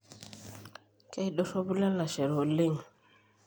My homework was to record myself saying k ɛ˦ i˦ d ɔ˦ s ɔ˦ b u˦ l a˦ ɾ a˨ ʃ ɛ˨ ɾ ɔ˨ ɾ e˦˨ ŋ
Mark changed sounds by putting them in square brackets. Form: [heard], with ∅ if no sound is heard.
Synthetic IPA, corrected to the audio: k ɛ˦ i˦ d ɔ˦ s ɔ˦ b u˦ l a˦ [l] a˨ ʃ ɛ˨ ɾ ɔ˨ [l] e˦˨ ŋ